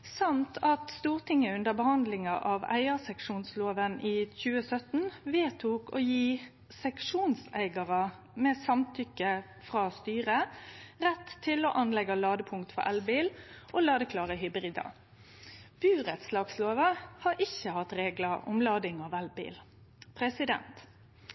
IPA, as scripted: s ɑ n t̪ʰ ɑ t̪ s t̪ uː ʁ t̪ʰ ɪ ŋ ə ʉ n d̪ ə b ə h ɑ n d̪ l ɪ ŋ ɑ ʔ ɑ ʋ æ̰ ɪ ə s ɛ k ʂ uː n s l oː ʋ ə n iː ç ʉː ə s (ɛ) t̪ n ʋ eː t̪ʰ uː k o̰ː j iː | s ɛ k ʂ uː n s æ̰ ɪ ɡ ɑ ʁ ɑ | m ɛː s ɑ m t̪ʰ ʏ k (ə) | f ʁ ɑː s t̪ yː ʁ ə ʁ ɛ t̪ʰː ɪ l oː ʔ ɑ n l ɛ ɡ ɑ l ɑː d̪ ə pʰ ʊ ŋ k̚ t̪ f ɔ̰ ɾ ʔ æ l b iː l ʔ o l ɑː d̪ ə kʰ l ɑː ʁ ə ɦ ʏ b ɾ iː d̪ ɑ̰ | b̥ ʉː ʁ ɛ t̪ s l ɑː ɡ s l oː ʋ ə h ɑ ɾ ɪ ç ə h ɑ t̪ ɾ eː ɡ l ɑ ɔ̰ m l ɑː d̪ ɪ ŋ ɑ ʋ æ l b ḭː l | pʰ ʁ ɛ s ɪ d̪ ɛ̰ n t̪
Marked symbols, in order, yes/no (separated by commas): no, yes